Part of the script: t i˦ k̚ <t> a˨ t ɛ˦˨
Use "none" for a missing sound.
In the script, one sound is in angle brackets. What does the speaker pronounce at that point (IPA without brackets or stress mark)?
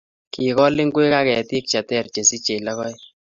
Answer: t͡ʃ